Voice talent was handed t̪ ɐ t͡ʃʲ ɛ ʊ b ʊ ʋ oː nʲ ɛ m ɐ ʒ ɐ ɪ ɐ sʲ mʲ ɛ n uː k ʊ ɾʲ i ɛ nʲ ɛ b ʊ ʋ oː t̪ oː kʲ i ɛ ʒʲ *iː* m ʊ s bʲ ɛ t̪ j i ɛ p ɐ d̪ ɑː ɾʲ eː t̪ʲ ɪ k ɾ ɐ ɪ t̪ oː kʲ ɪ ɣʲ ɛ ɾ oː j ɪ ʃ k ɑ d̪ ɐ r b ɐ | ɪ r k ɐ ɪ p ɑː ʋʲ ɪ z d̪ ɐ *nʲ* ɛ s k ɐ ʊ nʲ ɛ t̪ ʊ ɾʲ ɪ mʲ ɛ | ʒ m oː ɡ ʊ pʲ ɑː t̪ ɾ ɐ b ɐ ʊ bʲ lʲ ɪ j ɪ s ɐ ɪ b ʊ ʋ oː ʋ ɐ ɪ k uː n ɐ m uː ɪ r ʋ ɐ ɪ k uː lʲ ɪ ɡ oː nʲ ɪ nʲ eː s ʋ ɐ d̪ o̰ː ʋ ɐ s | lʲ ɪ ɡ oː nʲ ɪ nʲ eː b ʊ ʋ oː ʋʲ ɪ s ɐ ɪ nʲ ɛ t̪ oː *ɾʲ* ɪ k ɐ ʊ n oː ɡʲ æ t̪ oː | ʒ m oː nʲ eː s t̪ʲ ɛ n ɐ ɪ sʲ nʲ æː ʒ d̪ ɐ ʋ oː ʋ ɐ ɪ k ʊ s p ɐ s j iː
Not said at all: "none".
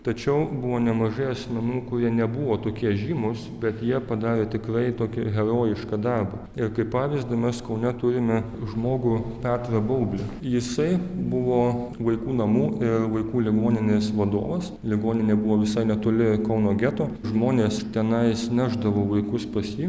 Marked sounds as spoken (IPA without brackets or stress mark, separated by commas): iː, mʲ, lʲ